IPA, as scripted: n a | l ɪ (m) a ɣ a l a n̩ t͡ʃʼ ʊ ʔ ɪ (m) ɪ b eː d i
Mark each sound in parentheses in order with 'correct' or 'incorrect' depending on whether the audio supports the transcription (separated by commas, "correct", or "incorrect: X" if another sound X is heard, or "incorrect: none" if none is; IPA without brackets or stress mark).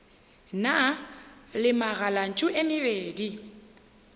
correct, correct